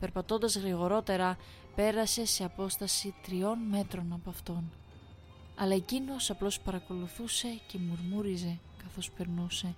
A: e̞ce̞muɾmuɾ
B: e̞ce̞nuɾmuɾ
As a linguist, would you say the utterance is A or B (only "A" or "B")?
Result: A